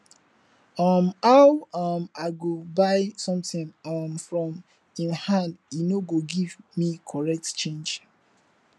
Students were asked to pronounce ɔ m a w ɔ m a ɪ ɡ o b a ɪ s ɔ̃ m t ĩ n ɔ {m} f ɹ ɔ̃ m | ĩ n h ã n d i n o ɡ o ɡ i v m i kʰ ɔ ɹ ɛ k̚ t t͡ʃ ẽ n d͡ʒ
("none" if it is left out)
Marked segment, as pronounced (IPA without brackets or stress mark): m